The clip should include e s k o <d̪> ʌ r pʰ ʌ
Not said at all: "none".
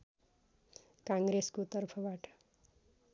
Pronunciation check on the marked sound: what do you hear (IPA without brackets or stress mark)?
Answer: t̪